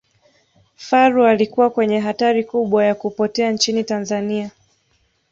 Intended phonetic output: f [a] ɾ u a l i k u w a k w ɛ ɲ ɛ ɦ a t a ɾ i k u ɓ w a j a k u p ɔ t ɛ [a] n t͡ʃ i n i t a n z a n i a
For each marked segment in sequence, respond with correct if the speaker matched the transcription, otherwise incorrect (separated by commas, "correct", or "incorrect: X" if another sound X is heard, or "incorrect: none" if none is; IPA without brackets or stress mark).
correct, correct